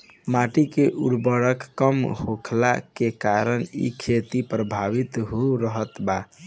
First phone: m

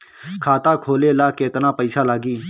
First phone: kʰ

